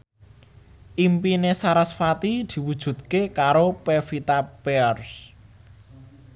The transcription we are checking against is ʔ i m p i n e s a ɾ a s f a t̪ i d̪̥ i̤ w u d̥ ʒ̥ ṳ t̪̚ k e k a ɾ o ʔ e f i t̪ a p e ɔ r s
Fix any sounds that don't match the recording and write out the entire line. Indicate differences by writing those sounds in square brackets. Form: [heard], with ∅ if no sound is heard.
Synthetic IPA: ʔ i m p i n e s a ɾ a s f a t̪ i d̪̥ i̤ w u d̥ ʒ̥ ṳ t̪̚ k e k a ɾ o [p] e f i t̪ a p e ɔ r s